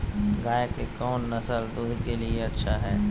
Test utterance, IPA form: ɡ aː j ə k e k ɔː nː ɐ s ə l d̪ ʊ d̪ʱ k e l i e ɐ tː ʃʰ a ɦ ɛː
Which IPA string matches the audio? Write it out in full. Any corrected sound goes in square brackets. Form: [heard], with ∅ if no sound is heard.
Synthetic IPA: ɡ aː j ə k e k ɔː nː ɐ s ə l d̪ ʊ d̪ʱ k e l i e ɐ tː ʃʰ a ɦ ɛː